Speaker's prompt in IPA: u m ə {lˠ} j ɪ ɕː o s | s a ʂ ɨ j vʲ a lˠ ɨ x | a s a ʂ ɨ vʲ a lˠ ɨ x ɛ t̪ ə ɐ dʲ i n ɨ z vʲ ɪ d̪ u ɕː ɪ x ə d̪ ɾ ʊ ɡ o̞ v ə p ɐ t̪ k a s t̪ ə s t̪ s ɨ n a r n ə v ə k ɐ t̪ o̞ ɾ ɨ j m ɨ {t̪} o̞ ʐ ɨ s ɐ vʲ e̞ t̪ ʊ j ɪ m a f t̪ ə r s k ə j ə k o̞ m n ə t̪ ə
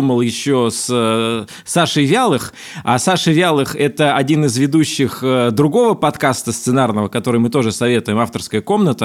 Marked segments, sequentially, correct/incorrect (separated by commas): correct, correct